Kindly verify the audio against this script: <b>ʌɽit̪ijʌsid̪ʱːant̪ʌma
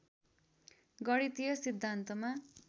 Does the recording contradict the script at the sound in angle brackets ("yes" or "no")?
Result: yes